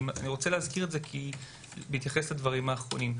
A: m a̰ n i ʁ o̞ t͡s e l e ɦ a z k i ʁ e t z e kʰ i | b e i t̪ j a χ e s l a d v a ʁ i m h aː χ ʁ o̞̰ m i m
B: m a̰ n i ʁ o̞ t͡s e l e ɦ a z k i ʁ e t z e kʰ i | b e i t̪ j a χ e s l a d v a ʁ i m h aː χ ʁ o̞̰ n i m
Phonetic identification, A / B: B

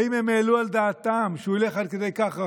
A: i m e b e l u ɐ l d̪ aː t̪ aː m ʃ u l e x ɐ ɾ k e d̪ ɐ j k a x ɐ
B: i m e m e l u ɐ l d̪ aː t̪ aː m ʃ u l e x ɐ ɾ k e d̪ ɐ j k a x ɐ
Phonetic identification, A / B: B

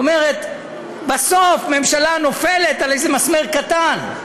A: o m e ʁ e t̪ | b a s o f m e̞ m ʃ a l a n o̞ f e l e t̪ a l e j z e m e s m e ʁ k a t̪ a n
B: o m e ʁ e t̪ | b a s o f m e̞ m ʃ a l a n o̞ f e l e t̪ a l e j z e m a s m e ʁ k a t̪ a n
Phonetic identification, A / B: B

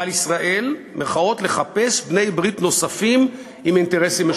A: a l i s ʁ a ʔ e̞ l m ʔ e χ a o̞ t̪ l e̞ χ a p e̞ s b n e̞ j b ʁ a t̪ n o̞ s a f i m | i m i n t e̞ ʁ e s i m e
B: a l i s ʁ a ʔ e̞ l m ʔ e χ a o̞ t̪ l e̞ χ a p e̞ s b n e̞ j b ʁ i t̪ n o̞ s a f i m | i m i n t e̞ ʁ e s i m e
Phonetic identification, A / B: B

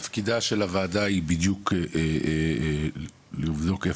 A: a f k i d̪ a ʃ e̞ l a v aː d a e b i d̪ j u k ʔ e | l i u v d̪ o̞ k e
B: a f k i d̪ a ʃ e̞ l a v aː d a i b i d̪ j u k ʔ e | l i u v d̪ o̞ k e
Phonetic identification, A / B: B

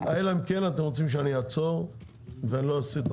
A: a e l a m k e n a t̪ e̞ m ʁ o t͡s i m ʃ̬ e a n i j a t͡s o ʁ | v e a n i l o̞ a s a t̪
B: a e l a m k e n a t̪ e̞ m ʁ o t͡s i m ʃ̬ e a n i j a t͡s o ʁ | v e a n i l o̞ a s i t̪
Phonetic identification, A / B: B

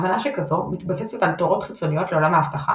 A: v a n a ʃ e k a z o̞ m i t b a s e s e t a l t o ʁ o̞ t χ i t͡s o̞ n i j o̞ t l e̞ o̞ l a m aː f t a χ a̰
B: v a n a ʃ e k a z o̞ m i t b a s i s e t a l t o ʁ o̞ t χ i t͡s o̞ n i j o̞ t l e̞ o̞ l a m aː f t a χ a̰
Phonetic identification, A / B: A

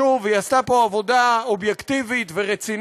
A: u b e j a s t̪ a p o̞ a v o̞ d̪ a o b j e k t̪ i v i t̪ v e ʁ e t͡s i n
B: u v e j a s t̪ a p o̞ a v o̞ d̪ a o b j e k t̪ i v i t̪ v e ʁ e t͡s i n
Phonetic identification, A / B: B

